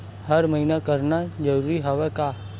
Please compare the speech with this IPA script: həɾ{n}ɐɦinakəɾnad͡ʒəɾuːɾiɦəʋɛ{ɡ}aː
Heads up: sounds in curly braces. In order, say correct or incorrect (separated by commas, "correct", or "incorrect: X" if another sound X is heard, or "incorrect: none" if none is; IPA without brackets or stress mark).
incorrect: m, incorrect: k